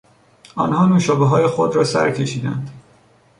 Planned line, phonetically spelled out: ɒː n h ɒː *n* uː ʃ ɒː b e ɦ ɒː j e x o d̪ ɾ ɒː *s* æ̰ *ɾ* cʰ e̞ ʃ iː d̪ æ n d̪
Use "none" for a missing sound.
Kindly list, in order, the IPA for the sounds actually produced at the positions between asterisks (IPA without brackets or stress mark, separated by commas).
n, s, ɾ